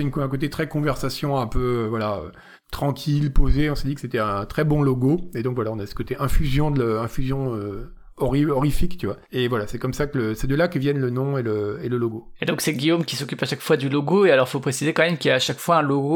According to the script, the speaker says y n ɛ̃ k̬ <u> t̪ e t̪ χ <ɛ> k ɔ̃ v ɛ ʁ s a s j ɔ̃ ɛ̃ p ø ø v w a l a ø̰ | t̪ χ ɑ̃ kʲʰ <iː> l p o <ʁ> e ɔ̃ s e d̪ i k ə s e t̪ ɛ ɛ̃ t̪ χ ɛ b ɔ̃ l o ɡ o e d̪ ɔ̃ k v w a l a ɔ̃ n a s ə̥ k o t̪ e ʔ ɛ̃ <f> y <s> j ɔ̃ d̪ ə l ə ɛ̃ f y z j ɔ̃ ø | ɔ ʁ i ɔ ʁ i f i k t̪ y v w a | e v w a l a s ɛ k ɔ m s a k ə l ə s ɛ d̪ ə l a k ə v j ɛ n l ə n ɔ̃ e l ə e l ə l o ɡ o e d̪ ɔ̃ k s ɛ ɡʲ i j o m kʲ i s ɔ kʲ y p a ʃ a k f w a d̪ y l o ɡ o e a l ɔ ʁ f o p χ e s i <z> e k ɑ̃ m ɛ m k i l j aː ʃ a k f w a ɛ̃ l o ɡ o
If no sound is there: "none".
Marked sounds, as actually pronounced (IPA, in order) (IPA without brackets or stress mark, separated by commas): o, ɛ, i, z, f, z, z